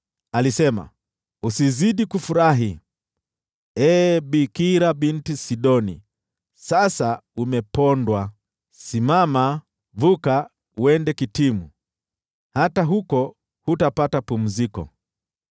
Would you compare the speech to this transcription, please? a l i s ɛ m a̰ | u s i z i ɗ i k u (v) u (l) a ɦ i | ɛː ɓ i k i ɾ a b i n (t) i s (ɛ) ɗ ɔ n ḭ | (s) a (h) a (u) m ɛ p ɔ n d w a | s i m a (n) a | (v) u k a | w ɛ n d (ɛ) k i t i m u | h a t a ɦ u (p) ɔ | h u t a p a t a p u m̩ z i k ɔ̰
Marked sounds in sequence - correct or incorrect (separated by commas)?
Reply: incorrect, incorrect, correct, incorrect, correct, incorrect, correct, incorrect, correct, correct, incorrect